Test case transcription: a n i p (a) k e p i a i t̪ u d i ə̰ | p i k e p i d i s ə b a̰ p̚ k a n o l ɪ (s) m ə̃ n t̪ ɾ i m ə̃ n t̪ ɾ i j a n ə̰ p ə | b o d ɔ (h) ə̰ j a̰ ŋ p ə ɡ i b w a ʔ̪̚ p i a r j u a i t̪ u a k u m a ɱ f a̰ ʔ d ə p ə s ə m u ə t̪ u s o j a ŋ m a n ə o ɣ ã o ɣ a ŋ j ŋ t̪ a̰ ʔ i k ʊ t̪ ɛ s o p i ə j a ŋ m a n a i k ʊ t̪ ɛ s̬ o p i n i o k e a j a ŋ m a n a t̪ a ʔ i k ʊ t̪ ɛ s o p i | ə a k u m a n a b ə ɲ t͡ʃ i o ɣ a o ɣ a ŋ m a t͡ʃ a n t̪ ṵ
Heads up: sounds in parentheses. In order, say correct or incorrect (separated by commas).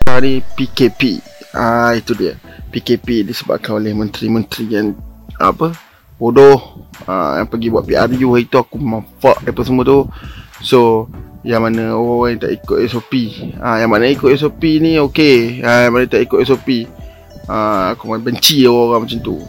incorrect, incorrect, correct